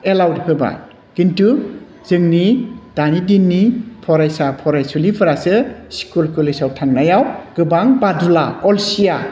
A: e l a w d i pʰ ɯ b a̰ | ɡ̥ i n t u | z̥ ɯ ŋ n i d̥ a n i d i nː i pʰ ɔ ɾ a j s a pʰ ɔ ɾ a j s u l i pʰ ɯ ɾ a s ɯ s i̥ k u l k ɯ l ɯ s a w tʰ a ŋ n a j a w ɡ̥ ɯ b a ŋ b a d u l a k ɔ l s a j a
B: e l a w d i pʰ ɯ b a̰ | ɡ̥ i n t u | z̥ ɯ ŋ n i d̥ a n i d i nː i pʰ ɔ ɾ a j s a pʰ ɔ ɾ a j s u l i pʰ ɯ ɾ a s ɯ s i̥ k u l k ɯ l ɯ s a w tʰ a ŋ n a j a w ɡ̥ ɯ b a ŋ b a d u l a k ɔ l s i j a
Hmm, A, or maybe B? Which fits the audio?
B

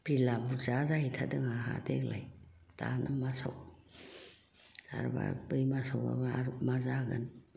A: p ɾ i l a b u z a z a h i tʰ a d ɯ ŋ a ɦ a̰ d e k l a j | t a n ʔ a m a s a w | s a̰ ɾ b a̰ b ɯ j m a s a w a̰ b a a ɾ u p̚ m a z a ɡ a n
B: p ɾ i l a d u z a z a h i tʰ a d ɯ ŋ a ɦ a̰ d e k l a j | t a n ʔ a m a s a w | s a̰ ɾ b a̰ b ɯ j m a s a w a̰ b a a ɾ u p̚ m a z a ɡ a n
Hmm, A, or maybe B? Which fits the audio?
A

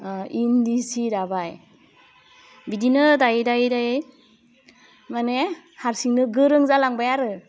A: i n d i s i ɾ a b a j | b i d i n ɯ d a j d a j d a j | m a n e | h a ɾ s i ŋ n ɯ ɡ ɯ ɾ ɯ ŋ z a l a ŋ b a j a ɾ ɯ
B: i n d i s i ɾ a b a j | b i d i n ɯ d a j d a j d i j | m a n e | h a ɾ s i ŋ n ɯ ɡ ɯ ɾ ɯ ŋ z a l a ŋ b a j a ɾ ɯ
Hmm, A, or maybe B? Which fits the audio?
A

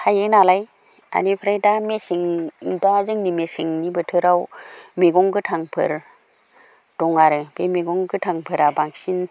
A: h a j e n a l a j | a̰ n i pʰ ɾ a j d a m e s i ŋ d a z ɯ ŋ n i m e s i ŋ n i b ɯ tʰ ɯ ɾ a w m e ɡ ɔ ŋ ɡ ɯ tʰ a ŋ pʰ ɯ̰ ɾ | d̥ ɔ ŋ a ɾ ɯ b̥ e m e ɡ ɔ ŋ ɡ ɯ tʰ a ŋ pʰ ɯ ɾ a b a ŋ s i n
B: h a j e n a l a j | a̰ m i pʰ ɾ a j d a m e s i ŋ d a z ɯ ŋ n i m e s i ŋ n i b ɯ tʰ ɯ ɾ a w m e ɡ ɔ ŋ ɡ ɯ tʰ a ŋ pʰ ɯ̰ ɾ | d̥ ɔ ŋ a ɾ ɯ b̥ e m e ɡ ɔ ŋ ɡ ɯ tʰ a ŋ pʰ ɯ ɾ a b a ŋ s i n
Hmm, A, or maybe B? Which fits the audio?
A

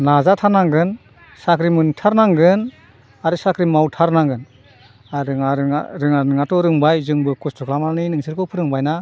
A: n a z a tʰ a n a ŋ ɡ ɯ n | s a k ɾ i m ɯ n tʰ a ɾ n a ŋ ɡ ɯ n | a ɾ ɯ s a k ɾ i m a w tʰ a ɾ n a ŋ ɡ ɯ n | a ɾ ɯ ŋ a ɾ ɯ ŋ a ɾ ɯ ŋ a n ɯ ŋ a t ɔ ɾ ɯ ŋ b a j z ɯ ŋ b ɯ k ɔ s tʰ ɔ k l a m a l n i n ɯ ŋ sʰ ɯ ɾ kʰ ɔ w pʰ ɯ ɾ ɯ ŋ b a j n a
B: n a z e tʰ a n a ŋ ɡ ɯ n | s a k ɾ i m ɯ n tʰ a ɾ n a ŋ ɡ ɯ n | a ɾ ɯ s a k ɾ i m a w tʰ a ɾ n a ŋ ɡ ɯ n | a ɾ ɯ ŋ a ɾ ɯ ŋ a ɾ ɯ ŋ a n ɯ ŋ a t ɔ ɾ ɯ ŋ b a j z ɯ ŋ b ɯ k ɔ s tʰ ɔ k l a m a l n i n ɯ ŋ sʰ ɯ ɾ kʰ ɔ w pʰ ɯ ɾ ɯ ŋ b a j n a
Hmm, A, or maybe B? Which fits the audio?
A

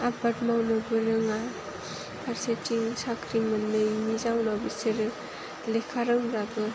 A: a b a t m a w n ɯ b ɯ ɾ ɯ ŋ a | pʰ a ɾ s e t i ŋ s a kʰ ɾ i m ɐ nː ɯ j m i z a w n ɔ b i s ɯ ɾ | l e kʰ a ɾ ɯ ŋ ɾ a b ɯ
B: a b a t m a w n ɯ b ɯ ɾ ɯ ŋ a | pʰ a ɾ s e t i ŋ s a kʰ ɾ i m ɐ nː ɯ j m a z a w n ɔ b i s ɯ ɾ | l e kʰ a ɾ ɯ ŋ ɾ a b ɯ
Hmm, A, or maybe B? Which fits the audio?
A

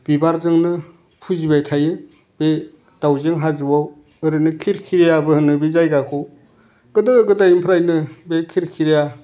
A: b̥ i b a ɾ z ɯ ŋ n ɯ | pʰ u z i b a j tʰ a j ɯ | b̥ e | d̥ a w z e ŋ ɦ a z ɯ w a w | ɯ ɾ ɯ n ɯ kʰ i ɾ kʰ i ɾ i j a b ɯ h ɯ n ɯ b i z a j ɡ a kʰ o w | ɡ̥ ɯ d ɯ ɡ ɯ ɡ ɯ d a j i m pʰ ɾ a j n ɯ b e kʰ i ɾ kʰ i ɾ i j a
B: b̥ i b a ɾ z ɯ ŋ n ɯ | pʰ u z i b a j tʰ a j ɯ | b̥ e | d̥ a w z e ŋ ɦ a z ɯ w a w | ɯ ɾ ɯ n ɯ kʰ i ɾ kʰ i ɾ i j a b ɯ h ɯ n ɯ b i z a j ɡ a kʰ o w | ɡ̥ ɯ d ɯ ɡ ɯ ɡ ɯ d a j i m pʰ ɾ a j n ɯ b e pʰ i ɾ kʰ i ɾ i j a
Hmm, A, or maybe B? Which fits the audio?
A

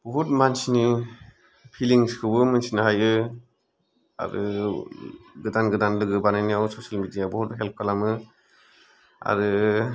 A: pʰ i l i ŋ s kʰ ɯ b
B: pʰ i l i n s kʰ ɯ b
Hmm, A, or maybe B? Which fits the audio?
A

